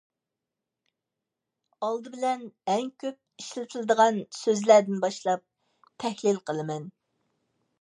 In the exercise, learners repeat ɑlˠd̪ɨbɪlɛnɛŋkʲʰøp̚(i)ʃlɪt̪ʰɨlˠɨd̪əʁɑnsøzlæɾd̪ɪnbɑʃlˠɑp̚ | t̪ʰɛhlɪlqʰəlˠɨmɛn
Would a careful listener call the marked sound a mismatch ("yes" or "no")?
no